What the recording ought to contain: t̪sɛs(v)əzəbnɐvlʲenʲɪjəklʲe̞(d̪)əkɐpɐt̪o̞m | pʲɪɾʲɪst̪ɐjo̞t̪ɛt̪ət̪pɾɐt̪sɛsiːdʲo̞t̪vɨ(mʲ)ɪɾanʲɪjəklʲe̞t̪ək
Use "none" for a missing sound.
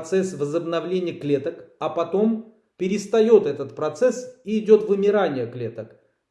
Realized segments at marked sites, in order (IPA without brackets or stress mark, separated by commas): v, t̪, mʲ